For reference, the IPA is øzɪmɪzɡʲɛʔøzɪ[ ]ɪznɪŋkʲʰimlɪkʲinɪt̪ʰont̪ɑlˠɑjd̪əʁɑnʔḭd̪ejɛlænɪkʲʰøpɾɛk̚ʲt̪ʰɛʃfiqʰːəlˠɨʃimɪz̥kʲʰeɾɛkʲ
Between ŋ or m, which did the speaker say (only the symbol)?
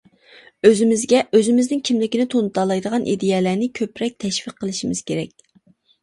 m